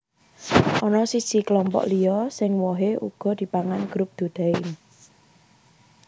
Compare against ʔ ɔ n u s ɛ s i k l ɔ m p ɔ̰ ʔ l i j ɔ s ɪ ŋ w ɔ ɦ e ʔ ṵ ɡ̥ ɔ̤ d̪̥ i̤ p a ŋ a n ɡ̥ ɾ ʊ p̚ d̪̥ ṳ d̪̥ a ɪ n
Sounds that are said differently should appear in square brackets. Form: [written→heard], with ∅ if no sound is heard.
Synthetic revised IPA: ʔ ɔ n [u→ɔ] s [ɛ→i] s i k l ɔ m p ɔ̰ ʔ l i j ɔ s ɪ ŋ w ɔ ɦ e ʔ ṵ ɡ̥ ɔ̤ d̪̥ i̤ p a ŋ a n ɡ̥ ɾ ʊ p̚ d̪̥ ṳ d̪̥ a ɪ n